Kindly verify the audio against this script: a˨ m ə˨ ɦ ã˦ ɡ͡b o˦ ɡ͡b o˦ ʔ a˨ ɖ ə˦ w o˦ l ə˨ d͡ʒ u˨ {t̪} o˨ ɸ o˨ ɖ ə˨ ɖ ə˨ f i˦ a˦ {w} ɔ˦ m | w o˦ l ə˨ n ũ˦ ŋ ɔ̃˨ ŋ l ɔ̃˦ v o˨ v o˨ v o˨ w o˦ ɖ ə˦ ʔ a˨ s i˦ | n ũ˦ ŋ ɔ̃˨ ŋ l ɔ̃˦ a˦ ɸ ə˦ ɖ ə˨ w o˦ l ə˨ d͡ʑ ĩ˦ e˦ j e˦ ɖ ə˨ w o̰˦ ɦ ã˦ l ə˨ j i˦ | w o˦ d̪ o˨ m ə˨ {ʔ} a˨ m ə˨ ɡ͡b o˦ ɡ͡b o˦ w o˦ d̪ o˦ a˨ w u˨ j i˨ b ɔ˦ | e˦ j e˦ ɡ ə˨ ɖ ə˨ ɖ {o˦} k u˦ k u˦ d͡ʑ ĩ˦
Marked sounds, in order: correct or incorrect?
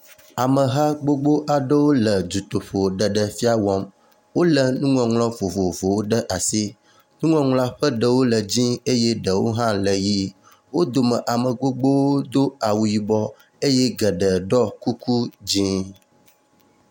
correct, correct, correct, incorrect: ɔ˦

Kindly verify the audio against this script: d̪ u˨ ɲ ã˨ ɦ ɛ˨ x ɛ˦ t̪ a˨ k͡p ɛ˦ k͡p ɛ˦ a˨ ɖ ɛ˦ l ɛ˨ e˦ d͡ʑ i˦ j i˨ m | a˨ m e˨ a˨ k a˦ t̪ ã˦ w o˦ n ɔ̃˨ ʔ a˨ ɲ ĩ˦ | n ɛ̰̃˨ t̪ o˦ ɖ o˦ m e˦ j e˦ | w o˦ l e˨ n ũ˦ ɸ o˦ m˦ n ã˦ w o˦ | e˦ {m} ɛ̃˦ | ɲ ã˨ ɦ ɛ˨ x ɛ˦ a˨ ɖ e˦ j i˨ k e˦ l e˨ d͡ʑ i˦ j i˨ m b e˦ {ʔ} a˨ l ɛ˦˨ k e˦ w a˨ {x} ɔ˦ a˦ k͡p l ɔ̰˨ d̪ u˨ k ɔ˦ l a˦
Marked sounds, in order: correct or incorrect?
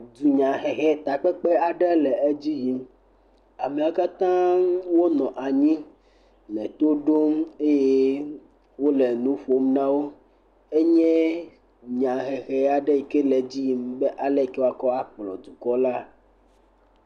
incorrect: ɲ, correct, incorrect: k

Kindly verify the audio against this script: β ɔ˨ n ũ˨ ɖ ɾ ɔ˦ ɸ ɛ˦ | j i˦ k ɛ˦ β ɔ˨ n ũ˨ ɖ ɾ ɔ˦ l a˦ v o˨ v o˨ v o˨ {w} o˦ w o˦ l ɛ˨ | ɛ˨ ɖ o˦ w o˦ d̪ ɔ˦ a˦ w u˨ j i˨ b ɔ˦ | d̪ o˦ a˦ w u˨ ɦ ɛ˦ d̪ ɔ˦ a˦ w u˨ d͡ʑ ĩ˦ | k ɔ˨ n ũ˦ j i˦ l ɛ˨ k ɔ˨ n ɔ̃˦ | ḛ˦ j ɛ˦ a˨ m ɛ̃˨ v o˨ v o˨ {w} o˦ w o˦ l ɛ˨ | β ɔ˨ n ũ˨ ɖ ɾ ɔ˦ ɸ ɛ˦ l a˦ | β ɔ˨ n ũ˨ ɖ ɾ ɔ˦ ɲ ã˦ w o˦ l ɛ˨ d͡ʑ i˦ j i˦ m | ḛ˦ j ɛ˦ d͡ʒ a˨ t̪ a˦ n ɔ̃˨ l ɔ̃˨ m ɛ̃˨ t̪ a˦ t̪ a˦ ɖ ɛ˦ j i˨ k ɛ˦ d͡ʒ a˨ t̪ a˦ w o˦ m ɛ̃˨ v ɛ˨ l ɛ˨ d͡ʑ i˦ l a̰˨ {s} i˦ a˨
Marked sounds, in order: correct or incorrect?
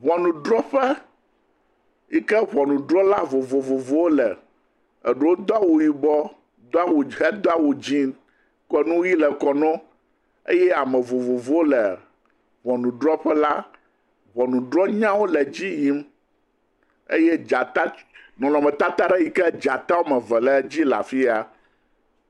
incorrect: v, incorrect: v, incorrect: f

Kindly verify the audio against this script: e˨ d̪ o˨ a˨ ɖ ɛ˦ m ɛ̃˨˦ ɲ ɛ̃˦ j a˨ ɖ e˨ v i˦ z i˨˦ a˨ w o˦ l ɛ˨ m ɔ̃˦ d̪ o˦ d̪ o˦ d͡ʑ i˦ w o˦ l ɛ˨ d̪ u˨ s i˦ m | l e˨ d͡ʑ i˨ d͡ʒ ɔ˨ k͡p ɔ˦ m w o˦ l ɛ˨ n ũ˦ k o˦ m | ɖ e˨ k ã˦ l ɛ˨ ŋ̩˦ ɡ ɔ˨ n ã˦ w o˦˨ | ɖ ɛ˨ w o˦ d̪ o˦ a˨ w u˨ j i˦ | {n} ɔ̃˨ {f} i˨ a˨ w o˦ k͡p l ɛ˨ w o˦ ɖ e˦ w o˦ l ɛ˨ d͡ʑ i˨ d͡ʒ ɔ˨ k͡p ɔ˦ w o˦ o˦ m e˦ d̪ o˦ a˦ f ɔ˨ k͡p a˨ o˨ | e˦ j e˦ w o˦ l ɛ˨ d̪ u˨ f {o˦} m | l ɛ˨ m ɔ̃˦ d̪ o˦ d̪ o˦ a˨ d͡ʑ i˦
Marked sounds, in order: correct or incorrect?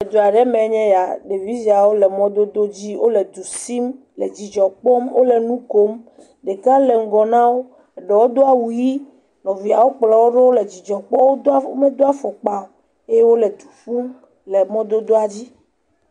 correct, incorrect: v, incorrect: u˦

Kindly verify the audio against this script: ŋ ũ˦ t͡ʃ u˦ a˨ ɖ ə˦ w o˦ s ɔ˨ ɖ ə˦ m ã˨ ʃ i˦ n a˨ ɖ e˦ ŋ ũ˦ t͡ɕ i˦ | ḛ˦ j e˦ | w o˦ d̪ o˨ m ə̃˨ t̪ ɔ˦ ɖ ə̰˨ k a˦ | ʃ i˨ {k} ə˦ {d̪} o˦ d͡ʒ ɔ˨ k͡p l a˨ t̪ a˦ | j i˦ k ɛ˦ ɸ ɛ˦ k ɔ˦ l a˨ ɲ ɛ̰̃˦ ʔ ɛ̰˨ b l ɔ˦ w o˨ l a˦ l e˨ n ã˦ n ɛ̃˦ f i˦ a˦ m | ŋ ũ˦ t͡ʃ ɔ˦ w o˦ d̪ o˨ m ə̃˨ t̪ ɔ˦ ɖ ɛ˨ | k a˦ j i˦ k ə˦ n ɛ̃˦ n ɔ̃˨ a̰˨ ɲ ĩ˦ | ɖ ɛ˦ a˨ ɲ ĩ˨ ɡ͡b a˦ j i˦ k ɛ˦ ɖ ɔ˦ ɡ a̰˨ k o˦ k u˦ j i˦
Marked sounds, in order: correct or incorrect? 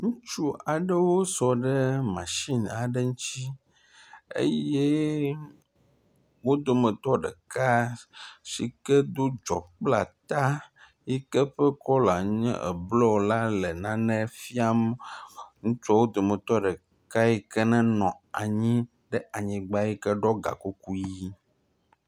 correct, correct

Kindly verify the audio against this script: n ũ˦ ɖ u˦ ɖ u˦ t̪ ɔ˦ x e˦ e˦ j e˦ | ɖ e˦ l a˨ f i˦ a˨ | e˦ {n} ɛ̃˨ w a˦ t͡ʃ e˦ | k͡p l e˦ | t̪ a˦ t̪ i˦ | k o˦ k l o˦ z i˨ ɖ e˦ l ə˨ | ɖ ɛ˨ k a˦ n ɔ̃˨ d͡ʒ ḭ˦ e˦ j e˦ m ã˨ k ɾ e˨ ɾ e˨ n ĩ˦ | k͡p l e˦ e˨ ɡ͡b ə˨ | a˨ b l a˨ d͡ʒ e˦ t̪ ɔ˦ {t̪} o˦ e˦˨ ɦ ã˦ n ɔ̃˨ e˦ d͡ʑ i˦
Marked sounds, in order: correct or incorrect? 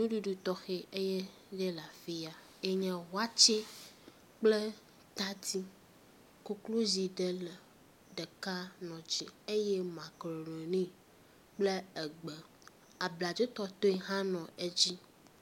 incorrect: ɲ, correct

